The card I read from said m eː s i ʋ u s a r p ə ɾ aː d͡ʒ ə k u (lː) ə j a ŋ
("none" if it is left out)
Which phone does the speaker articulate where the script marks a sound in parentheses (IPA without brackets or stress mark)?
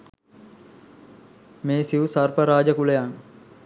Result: l